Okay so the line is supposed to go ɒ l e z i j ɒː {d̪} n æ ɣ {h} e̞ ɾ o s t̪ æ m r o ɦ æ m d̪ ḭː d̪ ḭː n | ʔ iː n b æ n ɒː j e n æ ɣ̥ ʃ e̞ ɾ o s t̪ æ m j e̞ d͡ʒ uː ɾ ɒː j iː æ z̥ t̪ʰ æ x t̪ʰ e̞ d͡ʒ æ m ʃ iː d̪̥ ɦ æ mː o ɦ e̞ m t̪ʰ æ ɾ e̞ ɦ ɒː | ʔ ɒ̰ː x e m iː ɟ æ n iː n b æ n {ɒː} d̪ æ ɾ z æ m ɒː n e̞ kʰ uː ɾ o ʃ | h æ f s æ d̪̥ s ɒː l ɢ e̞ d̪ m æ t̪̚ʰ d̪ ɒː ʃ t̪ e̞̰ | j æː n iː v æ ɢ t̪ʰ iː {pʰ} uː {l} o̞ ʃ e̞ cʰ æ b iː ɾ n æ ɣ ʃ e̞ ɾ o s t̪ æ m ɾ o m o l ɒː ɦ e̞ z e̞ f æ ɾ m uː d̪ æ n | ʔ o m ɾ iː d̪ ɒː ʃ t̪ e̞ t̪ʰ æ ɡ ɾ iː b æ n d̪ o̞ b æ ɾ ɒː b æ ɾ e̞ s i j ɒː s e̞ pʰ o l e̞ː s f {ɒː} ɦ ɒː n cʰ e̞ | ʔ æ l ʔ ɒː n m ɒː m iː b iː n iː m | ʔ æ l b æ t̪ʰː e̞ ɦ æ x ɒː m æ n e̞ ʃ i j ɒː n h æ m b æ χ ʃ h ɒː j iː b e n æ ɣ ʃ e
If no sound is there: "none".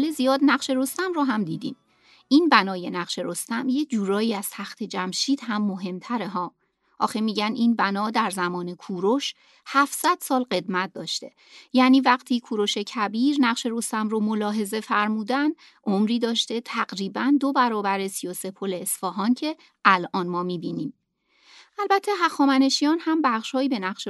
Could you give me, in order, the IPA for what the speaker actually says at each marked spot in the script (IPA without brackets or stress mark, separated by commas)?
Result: d̪, ʃ, ɒː, kʰ, ɾ, ɒː